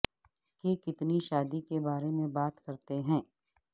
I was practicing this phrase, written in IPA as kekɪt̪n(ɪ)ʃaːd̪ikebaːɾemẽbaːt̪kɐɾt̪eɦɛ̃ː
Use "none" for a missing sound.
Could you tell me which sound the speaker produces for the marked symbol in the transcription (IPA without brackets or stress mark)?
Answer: i